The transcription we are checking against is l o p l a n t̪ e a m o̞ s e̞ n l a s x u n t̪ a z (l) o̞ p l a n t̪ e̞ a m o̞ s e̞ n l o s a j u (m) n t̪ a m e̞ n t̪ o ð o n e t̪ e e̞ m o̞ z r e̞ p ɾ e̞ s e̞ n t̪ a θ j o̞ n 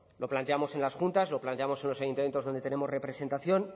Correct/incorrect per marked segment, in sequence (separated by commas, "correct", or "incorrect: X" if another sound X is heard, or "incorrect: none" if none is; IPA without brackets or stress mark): correct, incorrect: none